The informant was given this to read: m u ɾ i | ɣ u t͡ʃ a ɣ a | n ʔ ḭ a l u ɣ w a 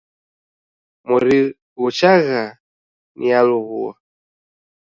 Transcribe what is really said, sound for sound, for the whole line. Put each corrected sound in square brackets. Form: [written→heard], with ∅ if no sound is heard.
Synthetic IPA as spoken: m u ɾ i | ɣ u t͡ʃ a ɣ a | n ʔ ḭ a l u ɣ [w→u] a